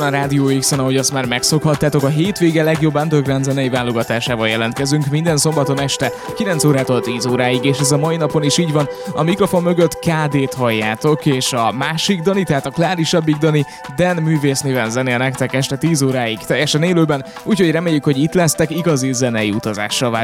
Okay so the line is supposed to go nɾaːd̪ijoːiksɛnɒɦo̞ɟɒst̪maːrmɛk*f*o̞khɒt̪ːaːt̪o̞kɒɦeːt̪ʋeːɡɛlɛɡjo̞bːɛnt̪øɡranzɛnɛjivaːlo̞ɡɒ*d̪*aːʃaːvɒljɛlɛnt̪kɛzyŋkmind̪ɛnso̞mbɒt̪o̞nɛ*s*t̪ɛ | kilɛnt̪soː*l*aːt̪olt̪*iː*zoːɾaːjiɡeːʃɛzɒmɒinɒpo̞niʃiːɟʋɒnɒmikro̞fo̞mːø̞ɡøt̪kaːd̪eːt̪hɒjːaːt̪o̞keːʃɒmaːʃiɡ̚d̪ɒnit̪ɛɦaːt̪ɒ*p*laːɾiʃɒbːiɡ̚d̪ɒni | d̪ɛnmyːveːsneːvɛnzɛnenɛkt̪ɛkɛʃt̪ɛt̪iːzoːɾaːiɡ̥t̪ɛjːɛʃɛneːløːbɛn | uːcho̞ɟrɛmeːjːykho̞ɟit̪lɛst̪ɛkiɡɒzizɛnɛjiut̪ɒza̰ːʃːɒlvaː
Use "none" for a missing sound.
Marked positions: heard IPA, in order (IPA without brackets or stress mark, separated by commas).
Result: s, t̪, ʃ, ɾ, iː, k